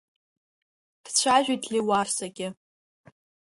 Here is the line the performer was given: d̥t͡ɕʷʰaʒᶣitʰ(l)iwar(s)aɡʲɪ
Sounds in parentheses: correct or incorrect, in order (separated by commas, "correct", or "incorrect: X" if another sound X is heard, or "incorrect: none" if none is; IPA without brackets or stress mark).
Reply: correct, correct